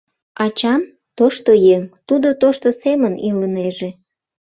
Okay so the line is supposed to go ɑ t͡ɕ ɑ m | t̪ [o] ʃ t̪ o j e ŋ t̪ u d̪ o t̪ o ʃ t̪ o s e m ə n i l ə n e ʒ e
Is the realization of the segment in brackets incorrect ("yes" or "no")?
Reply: no